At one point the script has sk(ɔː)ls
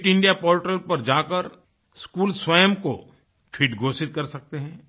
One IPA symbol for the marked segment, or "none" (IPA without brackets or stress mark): uː